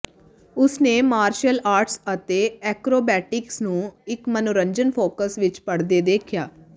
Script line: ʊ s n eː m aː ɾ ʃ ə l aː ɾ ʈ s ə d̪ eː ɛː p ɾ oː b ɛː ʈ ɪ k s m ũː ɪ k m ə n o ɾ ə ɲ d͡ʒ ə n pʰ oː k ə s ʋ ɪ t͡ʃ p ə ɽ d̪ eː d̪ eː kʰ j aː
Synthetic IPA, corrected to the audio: ʊ s n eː m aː ɾ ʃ ə l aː ɾ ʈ s ə t̪ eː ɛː k ɾ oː b ɛː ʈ ɪ k s n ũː ɪ k m ə n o ɾ ə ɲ d͡ʒ ə n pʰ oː k ə s ʋ ɪ t͡ʃ p ə ɽ d̪ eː d̪ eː kʰ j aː